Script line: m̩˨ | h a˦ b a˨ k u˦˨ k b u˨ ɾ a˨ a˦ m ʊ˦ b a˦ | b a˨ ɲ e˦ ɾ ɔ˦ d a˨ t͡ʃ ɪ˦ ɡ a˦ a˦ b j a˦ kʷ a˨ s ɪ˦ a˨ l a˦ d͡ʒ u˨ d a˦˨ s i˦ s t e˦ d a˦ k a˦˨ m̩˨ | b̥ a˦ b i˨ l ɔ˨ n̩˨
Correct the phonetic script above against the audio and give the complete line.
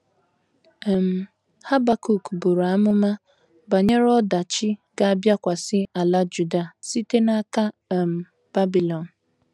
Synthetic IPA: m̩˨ | h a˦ b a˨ k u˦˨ k b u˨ ɾ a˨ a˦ m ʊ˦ m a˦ | b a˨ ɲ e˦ ɾ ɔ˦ d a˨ t͡ʃ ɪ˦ ɡ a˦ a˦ b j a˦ kʷ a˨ s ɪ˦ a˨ l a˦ d͡ʒ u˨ d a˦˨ s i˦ t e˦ n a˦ k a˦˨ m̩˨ | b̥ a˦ b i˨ l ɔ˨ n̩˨

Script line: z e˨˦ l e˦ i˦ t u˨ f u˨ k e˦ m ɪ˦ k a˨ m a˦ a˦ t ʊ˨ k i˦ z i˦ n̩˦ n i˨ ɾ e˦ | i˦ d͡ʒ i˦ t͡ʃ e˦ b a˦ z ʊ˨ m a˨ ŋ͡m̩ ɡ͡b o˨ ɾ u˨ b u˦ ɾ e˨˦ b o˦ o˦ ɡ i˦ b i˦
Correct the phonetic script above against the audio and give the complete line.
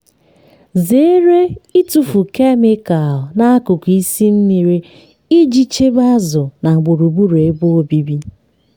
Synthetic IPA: z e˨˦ ɾ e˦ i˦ t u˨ f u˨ k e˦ m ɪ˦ k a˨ n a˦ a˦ k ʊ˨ k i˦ s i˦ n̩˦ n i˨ ɾ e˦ | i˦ d͡ʒ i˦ t͡ʃ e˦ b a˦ z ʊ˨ n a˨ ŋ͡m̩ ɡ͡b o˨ ɾ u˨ b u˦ ɾ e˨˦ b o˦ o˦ b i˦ b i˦

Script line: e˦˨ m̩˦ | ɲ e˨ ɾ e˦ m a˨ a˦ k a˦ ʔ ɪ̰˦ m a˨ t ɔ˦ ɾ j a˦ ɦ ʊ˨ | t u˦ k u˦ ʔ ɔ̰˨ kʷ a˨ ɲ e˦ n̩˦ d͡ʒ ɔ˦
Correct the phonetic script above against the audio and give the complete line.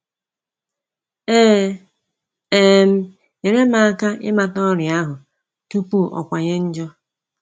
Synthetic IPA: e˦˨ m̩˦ | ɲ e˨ ɾ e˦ m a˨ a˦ k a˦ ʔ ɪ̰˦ m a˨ t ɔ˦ ɾ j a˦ ɦ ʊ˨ | t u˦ p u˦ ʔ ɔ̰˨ kʷ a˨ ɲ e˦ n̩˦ d͡ʒ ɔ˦

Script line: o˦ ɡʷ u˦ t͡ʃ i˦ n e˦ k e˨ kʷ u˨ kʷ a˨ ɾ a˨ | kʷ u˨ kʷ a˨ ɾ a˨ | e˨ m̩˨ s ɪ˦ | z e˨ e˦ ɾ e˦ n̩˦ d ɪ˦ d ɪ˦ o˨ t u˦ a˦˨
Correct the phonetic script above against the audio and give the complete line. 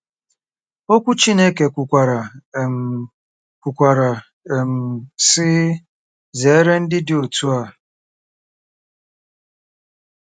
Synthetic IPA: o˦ kʷ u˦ t͡ʃ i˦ n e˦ k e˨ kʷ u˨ kʷ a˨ ɾ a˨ | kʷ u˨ kʷ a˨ ɾ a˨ | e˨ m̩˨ s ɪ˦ | z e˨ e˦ ɾ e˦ n̩˦ d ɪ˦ d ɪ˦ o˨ t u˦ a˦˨

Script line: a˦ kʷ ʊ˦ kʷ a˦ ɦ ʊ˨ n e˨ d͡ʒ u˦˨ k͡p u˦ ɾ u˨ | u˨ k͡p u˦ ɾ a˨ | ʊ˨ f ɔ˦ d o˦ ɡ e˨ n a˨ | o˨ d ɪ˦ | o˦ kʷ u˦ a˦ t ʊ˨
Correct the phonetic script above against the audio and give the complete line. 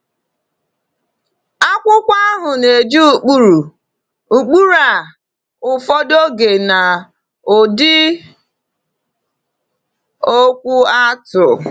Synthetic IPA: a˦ kʷ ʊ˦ kʷ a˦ ɦ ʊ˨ n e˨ d͡ʒ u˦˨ k͡p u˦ ɾ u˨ | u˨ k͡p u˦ ɾ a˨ | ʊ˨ f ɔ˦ d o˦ ɡ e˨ n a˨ | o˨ d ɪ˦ | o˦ kʷ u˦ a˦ t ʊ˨

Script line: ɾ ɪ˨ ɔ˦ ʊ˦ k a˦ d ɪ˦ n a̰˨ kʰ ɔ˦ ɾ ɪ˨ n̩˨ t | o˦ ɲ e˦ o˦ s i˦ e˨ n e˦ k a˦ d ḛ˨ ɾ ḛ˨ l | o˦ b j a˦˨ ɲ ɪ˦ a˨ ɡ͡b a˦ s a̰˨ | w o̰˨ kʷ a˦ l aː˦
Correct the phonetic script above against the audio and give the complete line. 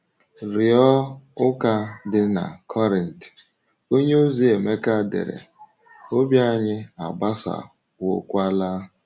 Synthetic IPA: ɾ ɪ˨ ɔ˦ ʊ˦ k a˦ d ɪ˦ n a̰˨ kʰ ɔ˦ ɾ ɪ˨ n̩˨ t | o˦ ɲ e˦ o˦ z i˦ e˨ m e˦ k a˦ d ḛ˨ ɾ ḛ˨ | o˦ b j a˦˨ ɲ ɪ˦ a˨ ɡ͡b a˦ s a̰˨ | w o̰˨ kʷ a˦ l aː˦

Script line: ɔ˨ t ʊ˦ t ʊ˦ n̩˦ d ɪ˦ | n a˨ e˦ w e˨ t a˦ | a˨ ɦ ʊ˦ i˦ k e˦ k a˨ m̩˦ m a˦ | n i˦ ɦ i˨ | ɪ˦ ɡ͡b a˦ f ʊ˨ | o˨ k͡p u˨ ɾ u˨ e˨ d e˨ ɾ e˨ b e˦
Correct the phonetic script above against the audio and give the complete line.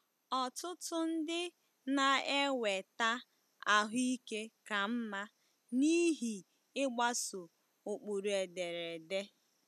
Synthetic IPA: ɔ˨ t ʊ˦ t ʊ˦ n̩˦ d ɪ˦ | n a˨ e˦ w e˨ t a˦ | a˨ ɦ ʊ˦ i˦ k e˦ k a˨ m̩˦ m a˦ | n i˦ ɦ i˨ | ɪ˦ ɡ͡b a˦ s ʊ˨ | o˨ k͡p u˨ ɾ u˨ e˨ d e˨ ɾ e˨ d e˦

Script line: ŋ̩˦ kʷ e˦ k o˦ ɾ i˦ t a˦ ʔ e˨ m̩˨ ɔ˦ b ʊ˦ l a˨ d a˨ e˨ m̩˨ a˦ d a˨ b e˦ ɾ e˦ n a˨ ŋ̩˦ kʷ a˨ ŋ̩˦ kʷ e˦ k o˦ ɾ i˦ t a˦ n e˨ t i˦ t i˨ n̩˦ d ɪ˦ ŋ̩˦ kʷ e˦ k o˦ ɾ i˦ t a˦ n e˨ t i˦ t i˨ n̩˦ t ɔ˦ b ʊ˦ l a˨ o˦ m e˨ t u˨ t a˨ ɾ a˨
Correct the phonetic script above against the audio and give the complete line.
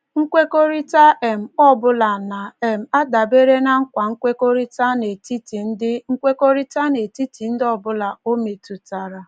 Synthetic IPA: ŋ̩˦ kʷ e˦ k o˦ ɾ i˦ t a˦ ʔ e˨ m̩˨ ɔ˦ b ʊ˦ l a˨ n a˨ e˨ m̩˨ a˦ d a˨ b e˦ ɾ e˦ n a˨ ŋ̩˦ kʷ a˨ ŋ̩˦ kʷ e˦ k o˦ ɾ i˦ t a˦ n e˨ t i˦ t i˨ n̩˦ d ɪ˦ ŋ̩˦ kʷ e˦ k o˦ ɾ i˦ t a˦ n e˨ t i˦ t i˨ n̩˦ d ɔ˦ b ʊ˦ l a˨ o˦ m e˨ t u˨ t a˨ ɾ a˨

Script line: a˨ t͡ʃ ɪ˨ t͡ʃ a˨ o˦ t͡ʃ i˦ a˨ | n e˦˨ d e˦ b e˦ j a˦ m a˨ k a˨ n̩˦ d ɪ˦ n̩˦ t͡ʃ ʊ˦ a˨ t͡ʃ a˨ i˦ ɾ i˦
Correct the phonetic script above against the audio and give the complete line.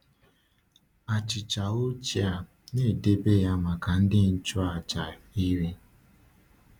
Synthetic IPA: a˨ t͡ʃ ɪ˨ t͡ʃ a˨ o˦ t͡ʃ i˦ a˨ | n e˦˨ d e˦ b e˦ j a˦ m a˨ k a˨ n̩˦ d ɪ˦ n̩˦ t͡ʃ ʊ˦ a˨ t͡ʃ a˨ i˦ ɾ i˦

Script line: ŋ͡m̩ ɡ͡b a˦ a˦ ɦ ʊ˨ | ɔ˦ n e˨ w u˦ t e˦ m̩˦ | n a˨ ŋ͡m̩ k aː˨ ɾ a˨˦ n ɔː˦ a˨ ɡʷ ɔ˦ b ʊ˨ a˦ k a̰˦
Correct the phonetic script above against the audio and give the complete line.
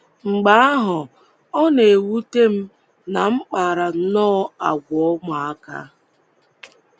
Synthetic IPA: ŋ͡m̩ ɡ͡b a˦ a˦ ɦ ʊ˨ | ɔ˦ n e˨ w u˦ t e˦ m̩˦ | n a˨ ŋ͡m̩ k͡p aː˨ ɾ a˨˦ n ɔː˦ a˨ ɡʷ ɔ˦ m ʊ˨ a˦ k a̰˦

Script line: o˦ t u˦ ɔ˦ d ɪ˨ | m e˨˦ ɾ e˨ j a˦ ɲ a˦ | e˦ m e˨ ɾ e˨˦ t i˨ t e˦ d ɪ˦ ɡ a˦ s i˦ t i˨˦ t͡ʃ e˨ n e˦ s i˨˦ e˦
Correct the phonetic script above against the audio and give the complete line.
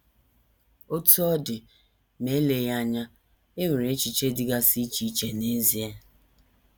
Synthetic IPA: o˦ t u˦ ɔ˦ d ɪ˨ | m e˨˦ l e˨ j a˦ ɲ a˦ | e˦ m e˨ ɾ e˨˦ t͡ʃ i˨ t͡ʃ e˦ d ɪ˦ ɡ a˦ s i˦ t͡ʃ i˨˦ t͡ʃ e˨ n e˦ z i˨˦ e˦

